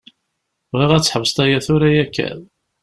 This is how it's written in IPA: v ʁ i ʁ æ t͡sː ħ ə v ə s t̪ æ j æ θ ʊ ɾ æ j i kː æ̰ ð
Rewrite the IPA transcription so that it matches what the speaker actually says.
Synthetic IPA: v ʁ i ʁ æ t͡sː ħ ə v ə s t̪ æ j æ θ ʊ ɾ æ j æ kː æ̰ ð